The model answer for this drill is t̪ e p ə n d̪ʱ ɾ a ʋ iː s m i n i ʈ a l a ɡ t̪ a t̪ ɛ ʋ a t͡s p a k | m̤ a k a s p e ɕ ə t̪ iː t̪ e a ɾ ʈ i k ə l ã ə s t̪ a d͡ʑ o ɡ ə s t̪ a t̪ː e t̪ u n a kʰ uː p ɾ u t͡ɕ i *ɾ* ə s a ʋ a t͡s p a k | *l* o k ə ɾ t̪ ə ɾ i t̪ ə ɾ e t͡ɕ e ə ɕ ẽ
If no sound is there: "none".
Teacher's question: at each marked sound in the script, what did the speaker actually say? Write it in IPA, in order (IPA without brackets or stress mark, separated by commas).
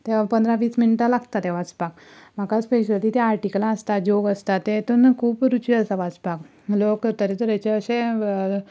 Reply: none, l